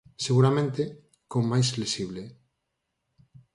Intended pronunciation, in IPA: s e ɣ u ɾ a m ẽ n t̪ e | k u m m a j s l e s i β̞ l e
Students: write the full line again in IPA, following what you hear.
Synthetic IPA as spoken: s e ɣ u ɾ a m ẽ n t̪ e | k o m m a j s l e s i β̞ l e